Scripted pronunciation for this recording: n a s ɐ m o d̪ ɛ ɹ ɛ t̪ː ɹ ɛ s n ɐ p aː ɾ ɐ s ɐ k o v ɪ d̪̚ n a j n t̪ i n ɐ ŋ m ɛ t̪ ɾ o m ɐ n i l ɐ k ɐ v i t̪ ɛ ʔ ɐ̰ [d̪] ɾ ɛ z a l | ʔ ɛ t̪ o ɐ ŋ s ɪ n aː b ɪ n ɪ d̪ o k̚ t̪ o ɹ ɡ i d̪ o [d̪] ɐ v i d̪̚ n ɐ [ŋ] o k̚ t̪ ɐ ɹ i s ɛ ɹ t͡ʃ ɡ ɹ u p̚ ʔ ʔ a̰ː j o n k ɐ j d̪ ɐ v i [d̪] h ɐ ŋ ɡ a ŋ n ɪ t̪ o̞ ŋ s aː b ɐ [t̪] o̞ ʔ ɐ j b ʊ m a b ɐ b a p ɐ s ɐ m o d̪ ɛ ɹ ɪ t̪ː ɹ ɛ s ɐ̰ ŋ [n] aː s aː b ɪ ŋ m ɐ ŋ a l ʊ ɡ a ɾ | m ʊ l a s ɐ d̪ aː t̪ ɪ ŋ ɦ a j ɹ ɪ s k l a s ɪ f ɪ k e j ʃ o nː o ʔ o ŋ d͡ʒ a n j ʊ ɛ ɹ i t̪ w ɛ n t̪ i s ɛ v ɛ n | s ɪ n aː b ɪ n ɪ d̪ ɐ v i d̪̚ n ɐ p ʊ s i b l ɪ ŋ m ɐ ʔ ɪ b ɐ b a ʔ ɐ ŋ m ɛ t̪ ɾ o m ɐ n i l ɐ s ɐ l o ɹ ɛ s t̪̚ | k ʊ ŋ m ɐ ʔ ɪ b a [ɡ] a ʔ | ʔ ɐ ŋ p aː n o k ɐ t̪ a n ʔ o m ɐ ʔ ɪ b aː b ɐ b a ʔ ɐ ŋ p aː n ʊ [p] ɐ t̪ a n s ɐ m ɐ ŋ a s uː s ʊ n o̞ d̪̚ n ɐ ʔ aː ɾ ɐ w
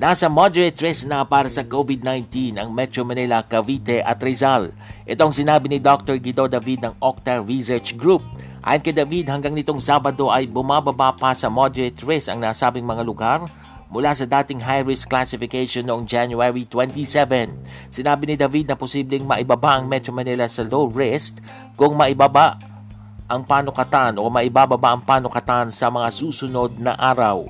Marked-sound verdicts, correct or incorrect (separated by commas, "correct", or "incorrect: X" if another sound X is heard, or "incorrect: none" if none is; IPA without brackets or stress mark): incorrect: t̪, correct, correct, correct, incorrect: d̪, correct, incorrect: b, incorrect: k